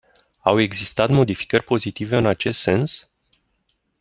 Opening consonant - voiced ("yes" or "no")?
yes